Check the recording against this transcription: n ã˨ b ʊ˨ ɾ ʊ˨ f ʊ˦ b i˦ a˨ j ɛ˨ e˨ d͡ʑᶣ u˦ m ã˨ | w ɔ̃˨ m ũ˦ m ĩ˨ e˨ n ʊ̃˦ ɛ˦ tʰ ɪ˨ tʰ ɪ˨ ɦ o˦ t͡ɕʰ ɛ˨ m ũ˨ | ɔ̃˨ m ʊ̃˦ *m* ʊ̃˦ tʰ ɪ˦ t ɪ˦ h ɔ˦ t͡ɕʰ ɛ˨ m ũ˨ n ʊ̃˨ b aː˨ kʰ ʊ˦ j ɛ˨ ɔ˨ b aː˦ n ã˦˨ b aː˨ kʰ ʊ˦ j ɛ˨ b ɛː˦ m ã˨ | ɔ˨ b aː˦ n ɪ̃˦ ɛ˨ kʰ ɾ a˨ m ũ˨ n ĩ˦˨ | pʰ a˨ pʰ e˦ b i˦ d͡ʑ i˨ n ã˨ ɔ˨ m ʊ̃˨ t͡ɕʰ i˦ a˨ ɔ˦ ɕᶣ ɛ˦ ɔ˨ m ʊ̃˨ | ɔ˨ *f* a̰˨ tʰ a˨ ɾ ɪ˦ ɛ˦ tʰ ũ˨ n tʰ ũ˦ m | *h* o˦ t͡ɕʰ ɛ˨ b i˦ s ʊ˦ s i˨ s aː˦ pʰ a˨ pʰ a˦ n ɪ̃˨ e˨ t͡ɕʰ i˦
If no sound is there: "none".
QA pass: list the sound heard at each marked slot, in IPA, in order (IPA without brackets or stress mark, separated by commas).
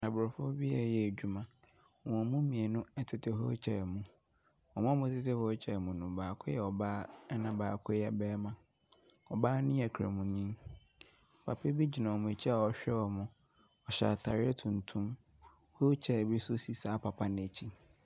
m, ɕ, h